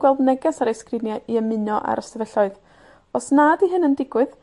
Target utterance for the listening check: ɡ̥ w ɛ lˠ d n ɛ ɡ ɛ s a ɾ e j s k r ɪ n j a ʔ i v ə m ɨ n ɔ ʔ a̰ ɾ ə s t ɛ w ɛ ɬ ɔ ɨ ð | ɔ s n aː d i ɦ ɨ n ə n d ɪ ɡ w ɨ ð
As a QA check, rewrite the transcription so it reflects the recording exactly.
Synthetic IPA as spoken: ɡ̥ w ɛ lˠ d n ɛ ɡ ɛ s a ɾ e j s k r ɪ n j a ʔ i ə m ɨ n ɔ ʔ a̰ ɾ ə s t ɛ v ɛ ɬ ɔ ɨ ð | ɔ s n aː d i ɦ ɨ n ə n d ɪ ɡ w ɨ ð